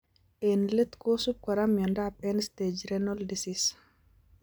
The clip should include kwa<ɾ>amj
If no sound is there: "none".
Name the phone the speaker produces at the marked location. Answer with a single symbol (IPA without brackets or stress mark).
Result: ɾ